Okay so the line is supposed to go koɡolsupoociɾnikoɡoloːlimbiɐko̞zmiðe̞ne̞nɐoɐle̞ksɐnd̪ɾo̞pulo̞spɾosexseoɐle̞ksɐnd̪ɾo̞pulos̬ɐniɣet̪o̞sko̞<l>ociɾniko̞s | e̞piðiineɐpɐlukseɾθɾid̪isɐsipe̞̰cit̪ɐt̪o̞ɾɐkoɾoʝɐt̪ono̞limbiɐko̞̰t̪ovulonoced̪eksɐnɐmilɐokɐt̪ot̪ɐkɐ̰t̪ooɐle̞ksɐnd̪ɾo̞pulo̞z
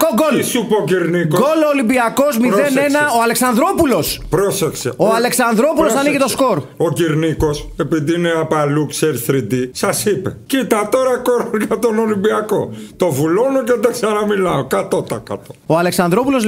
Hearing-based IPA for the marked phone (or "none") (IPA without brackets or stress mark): ɾ